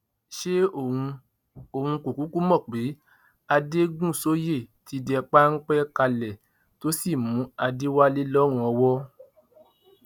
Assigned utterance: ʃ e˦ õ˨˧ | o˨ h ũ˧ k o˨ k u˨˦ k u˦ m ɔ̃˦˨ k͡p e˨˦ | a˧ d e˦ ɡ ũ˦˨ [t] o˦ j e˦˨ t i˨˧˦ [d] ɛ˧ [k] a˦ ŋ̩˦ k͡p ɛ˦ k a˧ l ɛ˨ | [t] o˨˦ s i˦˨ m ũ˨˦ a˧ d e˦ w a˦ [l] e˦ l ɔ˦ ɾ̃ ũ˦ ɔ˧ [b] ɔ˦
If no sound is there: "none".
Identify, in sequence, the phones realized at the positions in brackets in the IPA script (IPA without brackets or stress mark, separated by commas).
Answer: s, d, k͡p, t, l, w